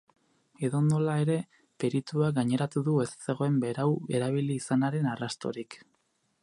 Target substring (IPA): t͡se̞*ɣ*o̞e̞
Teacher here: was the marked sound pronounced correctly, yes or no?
yes